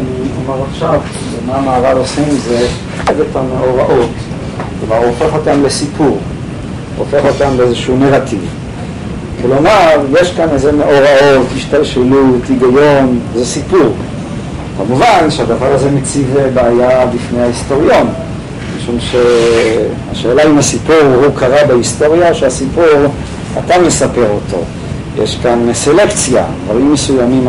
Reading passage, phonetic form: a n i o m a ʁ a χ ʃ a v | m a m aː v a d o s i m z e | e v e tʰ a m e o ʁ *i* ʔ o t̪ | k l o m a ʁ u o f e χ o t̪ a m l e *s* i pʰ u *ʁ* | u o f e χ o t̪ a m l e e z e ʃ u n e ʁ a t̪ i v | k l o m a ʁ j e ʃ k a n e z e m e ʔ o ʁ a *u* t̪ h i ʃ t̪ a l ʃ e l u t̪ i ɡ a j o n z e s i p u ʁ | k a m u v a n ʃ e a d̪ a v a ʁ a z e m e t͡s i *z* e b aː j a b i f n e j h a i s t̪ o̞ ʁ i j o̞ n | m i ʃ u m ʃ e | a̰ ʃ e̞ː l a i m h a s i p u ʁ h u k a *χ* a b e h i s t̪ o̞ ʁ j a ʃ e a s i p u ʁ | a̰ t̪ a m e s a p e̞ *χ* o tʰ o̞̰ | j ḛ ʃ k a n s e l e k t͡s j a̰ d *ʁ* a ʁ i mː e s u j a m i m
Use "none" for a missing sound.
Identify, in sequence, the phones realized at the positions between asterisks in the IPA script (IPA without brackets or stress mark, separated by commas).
a, s, ʁ, o, v, ʁ, ʁ, v